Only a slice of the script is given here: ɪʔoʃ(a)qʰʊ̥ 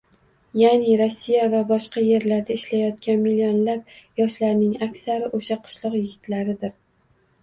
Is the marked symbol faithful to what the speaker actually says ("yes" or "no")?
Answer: yes